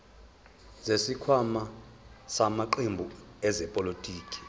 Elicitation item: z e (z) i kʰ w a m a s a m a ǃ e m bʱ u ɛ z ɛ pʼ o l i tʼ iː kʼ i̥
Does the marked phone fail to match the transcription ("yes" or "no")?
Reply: yes